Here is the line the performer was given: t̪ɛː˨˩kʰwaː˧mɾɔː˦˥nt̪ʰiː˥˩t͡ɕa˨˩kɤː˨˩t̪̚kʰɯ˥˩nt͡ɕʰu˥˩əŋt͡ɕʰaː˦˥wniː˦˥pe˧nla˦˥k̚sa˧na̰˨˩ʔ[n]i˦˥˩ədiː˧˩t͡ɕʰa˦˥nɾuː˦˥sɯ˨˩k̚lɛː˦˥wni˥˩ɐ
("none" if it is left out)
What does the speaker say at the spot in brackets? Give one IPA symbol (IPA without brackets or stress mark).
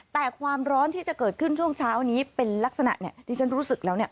n